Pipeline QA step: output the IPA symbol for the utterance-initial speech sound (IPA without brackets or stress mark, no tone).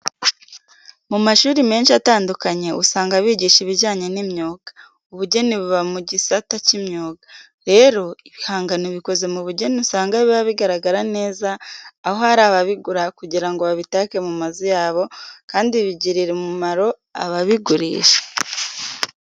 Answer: m